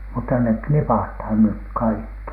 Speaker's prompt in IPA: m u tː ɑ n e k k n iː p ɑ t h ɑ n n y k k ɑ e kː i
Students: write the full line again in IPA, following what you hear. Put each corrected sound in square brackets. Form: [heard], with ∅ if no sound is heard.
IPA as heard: m u tː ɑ n e k k n [i] p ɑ t h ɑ n n y k k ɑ [i] kː i